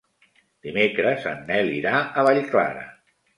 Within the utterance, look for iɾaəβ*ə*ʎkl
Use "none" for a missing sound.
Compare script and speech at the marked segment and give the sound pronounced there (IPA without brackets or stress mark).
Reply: a